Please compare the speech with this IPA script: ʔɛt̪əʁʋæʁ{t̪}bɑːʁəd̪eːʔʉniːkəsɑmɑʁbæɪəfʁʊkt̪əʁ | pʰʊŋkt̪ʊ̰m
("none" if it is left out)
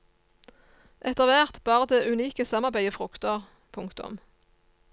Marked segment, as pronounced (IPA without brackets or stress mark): t̪